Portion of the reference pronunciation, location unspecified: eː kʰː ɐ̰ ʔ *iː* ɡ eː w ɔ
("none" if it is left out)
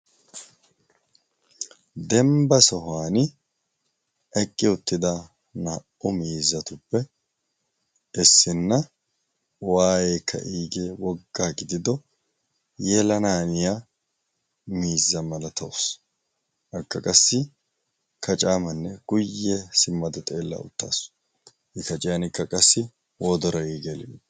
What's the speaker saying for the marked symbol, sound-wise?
iː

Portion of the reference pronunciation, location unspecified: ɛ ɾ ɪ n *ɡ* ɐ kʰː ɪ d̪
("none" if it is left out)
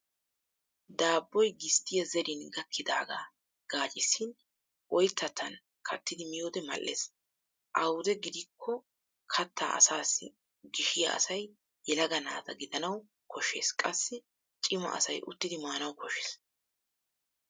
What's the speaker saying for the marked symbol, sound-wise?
ɡ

